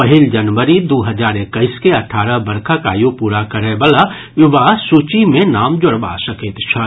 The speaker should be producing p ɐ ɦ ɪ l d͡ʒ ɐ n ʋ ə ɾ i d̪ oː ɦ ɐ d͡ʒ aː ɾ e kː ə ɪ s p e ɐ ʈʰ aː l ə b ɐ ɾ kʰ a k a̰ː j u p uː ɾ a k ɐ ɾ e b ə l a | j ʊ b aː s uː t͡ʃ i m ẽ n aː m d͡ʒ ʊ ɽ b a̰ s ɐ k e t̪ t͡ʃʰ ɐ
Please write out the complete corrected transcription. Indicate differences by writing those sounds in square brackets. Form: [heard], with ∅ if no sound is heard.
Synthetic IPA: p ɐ ɦ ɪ l d͡ʒ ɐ n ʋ ə ɾ i d̪ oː ɦ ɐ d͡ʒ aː ɾ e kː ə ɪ s [k] e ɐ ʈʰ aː [ɾ] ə b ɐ ɾ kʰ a k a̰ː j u p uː ɾ a k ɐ ɾ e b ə l a | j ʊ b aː s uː t͡ʃ i m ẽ n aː m d͡ʒ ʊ ɽ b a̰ s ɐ k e t̪ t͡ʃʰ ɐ